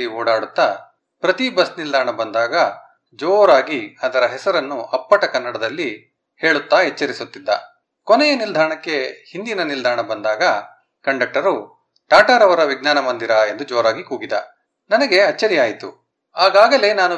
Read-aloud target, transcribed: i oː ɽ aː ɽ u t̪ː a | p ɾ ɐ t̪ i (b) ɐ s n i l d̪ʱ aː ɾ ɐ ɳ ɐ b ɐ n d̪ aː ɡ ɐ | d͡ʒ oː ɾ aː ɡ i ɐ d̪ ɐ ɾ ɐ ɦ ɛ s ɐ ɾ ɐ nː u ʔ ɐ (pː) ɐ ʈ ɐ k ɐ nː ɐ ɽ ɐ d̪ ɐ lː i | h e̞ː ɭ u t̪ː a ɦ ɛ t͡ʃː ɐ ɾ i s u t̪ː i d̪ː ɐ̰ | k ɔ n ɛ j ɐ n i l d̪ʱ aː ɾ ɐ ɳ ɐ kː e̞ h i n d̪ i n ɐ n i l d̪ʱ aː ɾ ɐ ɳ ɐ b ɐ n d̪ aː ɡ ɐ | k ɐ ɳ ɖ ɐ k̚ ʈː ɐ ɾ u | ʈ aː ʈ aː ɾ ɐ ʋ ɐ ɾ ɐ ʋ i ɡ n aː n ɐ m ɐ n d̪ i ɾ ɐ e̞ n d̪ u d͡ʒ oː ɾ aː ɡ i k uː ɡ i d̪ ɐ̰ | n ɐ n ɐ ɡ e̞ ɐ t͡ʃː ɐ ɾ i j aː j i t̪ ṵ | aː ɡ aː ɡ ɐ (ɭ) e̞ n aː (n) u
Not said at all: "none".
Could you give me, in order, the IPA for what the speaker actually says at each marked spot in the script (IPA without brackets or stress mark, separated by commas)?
b, pː, l, n